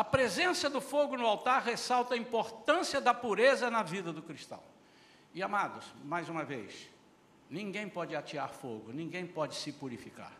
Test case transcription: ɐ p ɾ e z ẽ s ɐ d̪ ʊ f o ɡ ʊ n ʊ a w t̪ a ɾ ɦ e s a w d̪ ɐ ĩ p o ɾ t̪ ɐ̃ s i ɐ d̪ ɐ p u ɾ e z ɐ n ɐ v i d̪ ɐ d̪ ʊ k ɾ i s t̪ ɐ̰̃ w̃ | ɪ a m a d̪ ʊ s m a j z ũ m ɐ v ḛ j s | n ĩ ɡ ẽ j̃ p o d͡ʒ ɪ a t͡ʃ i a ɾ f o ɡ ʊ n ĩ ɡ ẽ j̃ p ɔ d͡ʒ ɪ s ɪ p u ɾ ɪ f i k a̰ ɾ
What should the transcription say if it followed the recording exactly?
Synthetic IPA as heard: ɐ p ɾ e z ẽ s ɐ d̪ ʊ f o ɡ ʊ n ʊ a w t̪ a ɾ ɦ e s a w t̪ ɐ ĩ p o ɾ t̪ ɐ̃ s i ɐ d̪ ɐ p u ɾ e z ɐ n ɐ v i d̪ ɐ d̪ ʊ k ɾ i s t̪ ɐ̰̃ w̃ | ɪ a m a d̪ ʊ s m a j z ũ m ɐ v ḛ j s | n ĩ ɡ ẽ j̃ p ɔ d͡ʒ ɪ a t͡ʃ i a ɾ f o ɡ ʊ n ĩ ɡ ẽ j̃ p ɔ d͡ʒ ɪ s ɪ p u ɾ i f i k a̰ ɾ